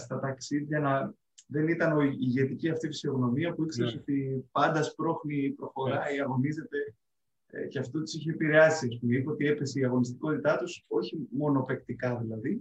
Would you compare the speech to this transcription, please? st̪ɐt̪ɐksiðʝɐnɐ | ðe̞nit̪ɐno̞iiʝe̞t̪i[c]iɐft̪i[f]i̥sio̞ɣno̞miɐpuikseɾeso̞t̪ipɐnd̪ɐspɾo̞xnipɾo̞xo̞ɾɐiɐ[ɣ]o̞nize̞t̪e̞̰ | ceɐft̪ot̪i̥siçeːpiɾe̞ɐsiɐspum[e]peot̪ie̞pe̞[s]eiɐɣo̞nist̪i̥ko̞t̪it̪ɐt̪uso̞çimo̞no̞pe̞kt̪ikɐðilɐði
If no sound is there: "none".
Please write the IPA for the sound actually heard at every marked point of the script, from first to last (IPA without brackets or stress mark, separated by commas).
c, f, ɣ, i, s